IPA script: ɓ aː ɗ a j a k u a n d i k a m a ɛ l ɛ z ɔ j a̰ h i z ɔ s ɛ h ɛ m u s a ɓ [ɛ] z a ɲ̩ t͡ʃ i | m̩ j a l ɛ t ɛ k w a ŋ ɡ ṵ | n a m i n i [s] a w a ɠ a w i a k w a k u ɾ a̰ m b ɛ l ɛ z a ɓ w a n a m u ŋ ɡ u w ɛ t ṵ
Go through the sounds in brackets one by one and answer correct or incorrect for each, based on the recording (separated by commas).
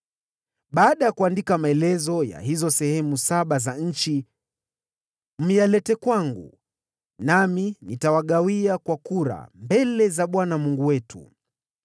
incorrect, incorrect